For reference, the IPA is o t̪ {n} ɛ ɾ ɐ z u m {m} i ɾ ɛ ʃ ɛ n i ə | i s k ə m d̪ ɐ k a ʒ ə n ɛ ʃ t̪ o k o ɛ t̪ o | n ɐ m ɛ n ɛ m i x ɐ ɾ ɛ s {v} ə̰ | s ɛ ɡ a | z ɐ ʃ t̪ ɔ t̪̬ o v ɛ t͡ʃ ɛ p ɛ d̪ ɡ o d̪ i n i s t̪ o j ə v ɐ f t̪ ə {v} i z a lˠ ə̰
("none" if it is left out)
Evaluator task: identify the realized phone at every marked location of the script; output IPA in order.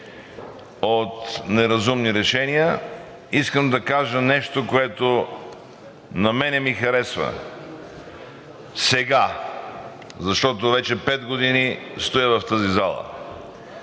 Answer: n, n, v, z

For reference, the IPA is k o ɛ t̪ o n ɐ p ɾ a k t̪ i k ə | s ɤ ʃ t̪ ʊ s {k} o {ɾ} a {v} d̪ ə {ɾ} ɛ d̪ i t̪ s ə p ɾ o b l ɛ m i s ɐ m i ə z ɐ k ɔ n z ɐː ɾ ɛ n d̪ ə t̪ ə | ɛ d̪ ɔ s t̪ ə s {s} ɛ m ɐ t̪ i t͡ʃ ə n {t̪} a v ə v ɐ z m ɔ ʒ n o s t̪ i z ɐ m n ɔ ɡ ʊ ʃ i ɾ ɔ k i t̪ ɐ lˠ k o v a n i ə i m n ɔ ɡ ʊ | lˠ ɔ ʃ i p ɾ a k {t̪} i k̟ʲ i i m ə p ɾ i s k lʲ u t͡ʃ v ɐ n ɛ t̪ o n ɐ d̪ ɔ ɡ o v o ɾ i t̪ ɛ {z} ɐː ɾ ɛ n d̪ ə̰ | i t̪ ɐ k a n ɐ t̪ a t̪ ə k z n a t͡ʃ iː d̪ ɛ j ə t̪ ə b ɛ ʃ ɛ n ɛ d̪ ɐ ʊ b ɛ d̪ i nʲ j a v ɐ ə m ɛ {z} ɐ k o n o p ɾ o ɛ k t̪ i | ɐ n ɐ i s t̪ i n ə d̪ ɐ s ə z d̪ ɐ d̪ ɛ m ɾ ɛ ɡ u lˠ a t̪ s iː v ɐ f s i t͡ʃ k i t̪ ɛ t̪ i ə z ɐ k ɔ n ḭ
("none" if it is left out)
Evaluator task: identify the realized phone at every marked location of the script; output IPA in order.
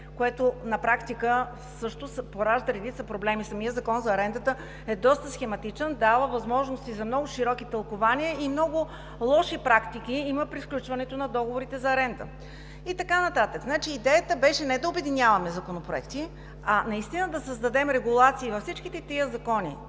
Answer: p, ɾ, ʒ, ɾ, x, d̪, t̪, z, z

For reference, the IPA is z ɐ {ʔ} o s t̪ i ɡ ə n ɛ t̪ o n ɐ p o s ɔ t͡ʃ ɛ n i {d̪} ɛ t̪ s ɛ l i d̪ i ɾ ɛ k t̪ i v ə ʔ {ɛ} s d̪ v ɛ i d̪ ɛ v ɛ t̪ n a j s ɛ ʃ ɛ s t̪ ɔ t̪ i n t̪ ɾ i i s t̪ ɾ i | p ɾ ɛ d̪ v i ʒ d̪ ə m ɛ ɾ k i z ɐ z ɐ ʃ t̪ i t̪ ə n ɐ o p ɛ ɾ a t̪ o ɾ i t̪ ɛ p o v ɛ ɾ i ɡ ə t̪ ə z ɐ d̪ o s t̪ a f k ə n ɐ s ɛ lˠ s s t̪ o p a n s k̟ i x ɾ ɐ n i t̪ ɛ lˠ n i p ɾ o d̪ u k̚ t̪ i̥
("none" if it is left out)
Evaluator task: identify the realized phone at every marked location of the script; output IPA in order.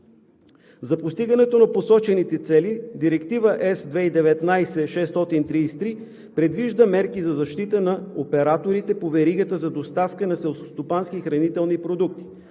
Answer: p, t̪, ɛ

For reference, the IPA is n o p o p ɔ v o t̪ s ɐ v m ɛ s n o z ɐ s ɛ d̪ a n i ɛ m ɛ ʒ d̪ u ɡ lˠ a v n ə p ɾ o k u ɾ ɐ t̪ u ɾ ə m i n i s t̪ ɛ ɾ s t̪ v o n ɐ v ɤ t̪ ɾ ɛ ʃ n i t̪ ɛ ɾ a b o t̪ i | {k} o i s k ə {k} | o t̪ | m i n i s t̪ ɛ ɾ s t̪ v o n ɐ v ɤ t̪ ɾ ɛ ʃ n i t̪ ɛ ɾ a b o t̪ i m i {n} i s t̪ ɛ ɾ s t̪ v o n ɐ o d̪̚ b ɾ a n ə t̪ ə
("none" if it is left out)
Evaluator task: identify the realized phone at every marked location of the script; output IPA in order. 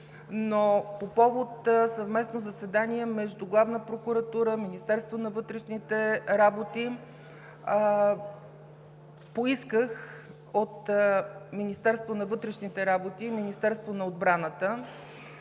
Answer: p, x, n

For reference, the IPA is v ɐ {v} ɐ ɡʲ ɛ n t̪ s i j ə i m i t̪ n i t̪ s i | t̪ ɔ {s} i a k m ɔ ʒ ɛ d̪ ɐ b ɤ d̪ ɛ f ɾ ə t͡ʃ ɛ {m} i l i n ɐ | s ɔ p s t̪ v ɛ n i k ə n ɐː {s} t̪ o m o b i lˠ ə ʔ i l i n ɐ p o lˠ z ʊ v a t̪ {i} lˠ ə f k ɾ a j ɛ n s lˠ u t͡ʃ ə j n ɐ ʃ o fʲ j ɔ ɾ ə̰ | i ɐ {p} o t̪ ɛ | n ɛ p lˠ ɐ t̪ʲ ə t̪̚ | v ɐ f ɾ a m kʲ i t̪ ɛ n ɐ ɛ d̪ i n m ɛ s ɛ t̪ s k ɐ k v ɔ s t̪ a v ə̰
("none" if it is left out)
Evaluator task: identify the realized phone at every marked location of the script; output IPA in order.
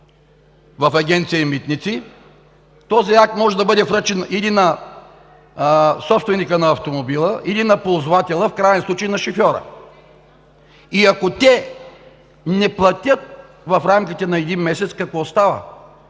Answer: f, z, n, f, ɛ, k

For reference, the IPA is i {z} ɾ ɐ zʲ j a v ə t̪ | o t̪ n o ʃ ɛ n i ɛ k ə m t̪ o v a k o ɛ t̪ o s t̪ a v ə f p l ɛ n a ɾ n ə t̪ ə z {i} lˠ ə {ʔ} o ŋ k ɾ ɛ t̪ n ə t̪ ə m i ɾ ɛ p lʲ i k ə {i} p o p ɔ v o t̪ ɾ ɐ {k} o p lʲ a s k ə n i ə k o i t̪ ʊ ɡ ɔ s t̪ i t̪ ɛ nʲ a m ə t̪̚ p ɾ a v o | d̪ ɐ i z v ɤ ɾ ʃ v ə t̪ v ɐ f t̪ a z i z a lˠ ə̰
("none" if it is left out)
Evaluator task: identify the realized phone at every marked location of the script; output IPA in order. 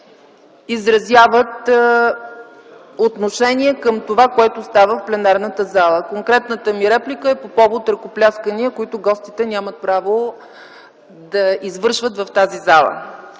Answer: z, a, k, ɛ, k

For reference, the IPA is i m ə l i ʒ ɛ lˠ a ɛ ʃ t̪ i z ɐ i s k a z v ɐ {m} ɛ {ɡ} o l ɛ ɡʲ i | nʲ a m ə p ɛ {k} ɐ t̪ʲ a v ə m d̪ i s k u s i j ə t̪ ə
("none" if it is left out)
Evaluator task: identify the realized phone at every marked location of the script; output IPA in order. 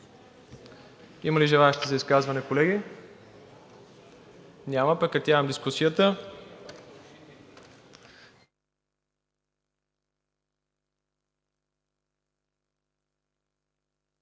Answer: n, k, k

